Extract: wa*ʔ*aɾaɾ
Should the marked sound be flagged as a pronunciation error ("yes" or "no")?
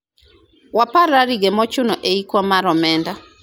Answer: yes